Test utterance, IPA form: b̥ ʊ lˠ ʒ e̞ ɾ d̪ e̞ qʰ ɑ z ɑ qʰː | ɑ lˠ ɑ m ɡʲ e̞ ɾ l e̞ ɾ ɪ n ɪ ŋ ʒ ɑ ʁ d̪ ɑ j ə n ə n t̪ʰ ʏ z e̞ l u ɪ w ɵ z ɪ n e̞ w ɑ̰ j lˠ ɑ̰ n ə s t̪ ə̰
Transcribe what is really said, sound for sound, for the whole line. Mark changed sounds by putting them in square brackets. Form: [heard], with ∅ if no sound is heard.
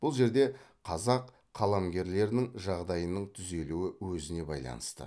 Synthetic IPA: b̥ ʊ lˠ ʒ e̞ ɾ d̪ e̞ qʰ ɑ z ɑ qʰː | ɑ lˠ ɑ m ɡʲ e̞ ɾ l e̞ ɾ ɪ n ɪ ŋ ʒ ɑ ʁ d̪ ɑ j ə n ə [ɴ] t̪ʰ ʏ z e̞ l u ɪ w ɵ z ɪ n e̞ [b] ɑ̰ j lˠ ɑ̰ n ə s t̪ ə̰